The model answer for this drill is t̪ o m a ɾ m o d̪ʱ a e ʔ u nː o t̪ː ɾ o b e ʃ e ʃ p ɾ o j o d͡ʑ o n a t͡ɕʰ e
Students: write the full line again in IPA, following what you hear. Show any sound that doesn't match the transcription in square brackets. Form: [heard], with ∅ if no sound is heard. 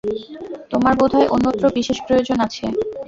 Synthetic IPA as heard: t̪ o m a ɾ [b] o d̪ʱ a e ʔ [o] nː o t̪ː ɾ o b [i] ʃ e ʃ p ɾ o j o d͡ʑ o n a t͡ɕʰ e